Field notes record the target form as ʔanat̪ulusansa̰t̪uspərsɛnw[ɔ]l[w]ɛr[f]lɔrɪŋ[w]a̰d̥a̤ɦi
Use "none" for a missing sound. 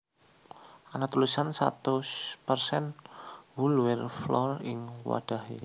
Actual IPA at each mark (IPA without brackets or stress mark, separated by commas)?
u, w, f, w